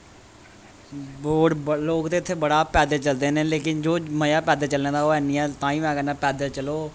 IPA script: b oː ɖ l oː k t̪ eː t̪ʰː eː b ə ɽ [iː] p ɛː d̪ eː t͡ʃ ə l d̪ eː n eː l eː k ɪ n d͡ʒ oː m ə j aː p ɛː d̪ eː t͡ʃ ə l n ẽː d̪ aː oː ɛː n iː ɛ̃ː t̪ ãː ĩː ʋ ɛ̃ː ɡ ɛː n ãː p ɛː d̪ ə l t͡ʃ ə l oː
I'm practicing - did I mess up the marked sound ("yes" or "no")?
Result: yes